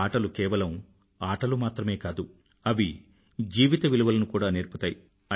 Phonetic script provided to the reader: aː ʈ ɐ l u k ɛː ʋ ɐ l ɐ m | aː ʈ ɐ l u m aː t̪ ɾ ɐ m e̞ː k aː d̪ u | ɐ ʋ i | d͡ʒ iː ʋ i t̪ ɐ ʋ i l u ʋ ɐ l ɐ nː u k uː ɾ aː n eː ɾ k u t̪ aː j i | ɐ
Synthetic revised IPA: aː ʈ ɐ l u k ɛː ʋ ɐ l ɐ m | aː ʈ ɐ l u m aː t̪ ɾ ɐ m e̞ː k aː d̪ u | ɐ ʋ i | d͡ʒ iː ʋ i t̪ ɐ ʋ i l u ʋ ɐ l ɐ n u k uː ɽ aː n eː ɾ p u t̪ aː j i | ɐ